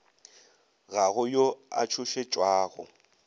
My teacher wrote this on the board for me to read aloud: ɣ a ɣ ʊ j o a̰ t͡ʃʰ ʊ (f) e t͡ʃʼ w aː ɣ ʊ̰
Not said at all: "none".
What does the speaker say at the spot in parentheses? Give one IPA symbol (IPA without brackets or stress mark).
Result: ʃ